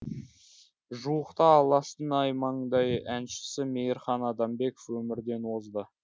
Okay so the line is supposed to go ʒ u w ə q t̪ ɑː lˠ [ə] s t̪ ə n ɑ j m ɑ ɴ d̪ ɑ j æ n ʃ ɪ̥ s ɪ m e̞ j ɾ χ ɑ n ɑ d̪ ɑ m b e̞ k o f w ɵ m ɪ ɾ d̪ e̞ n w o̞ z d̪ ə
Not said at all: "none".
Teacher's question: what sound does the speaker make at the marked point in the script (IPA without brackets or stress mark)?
ɑ